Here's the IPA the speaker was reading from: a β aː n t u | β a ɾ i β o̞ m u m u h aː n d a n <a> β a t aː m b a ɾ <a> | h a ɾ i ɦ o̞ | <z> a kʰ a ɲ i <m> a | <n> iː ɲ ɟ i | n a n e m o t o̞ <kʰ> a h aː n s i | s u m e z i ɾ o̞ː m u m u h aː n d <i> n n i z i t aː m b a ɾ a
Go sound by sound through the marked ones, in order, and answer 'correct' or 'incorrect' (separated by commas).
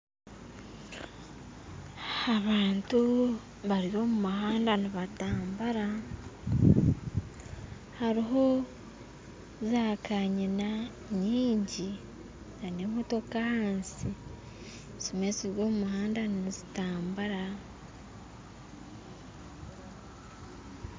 incorrect, correct, correct, incorrect, incorrect, incorrect, incorrect